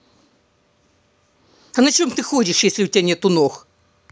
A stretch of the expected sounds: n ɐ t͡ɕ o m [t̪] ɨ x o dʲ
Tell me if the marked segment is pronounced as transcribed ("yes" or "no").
yes